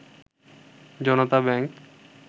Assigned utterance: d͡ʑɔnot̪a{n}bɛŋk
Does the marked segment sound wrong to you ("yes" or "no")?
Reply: yes